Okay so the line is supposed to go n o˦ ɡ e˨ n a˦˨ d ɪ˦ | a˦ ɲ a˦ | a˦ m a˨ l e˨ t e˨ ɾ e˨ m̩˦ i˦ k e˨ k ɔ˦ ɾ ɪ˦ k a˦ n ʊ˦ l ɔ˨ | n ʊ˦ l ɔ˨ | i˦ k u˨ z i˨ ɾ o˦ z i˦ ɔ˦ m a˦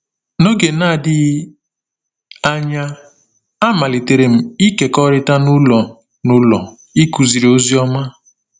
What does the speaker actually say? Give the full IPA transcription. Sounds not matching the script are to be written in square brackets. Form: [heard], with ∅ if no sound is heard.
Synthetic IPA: n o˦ ɡ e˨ n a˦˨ d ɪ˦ | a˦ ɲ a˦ | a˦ m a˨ l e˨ t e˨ ɾ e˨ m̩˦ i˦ k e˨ k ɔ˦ ɾ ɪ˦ [t] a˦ n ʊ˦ l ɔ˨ | n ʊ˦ l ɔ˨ | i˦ k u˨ z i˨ ɾ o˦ z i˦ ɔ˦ m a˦

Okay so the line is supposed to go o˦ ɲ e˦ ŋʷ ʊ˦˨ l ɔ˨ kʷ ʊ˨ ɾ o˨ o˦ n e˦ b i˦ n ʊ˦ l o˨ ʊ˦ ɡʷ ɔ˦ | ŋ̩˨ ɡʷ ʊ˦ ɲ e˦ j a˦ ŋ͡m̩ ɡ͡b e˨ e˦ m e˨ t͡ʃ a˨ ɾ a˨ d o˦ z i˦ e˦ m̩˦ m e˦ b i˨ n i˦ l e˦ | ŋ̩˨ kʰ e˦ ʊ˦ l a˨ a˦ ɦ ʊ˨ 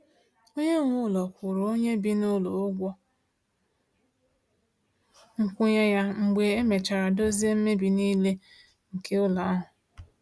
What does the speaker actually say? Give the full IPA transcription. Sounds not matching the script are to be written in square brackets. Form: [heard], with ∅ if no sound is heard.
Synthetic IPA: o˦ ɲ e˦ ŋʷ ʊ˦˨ l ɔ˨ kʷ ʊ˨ ɾ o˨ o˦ [ɲ] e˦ b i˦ n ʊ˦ l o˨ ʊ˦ ɡʷ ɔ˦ | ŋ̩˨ [kʷ] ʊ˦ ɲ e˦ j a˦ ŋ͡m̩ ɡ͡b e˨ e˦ m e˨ t͡ʃ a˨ ɾ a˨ d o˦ z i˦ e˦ m̩˦ m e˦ b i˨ n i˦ l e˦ | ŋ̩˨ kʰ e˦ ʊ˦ l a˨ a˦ ɦ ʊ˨

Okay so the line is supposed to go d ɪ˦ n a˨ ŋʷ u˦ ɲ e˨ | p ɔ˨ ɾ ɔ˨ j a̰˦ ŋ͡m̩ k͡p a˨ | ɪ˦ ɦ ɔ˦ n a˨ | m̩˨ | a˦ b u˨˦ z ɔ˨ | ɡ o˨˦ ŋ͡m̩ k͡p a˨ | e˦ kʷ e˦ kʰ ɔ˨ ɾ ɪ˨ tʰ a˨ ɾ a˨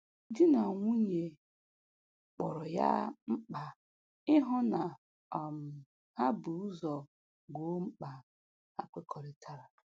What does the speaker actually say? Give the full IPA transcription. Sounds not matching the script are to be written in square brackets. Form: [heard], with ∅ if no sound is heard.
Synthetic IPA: d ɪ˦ n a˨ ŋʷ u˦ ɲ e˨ | [k͡p] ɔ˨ ɾ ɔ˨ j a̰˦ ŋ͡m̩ k͡p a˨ | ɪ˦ ɦ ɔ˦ n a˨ | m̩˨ | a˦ b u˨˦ z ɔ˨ | ɡ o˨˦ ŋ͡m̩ k͡p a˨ | [a˦] kʷ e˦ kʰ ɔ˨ ɾ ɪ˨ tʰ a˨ ɾ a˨

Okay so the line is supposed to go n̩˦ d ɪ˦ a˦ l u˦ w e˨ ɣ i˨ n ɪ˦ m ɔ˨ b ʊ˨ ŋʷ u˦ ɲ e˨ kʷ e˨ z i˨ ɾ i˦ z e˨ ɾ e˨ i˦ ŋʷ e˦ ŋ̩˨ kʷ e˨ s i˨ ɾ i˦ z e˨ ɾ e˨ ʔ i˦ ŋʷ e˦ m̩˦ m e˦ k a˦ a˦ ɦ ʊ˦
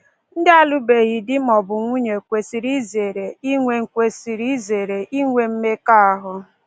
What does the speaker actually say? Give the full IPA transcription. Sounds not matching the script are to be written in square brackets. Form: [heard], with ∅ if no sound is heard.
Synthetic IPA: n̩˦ d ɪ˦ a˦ l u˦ [b] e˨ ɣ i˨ [d] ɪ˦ m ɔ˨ b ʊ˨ ŋʷ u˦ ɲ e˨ kʷ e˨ [s] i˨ ɾ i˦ z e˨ ɾ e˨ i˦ ŋʷ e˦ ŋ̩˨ kʷ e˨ s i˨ ɾ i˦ z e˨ ɾ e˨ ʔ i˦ ŋʷ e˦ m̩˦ m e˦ k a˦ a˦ ɦ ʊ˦

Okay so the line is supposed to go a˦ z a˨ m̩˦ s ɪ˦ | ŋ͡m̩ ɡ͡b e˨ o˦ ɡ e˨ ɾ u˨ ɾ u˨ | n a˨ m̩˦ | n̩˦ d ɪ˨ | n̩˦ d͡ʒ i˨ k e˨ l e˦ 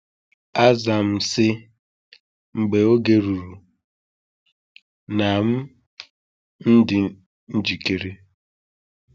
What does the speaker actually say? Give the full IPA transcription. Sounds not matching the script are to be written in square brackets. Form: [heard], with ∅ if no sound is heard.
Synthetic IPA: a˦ z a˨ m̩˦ s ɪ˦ | ŋ͡m̩ ɡ͡b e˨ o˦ ɡ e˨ ɾ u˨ ɾ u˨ | n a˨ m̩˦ | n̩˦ d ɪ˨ | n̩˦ d͡ʒ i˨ k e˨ [ɾ] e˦

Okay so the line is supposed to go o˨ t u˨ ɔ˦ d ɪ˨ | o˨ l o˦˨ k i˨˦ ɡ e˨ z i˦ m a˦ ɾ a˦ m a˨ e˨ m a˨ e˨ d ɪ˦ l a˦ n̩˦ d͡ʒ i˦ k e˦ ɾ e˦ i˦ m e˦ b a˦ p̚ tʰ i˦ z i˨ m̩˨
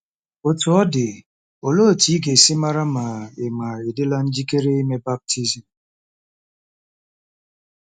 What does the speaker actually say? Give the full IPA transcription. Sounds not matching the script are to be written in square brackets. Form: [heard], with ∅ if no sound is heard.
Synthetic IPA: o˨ t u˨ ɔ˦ d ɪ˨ | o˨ l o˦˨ [t] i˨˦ ɡ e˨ [s] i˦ m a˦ ɾ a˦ m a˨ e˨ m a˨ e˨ d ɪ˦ l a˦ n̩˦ d͡ʒ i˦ k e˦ ɾ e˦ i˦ m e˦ b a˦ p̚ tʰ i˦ z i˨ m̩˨

